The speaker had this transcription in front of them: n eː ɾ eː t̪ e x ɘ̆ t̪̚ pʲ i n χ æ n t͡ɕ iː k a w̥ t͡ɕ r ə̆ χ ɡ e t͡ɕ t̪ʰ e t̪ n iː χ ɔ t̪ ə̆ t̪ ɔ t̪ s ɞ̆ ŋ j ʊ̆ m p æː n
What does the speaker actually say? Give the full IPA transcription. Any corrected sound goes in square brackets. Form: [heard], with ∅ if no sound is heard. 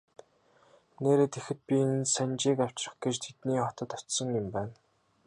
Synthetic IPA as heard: n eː ɾ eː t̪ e x ɘ̆ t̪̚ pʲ i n [s] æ n t͡ɕ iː k a w̥ t͡ɕ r ə̆ χ ɡ e t͡ɕ t̪ʰ e t̪ n iː χ ɔ t̪ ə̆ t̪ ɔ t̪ s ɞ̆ ŋ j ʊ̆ m p æː n